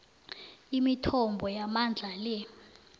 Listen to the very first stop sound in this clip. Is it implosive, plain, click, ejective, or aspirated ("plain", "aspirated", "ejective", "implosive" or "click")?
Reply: aspirated